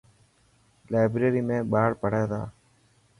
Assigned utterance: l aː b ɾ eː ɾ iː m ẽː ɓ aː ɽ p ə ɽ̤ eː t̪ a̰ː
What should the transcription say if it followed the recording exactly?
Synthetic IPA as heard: l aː b ɾ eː ɾ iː m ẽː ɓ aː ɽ p ə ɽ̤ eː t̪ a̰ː